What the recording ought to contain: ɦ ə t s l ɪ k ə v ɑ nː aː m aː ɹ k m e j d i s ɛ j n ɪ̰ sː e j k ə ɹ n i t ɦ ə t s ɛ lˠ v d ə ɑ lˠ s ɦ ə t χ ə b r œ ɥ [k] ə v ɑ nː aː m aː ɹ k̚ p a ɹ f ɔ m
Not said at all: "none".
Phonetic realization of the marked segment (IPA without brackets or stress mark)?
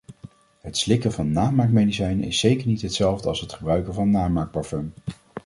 k